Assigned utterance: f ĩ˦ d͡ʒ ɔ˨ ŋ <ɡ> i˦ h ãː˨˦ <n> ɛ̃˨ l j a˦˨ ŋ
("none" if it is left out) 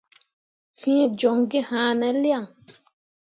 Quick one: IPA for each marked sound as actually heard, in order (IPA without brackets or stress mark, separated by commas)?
ɡ, n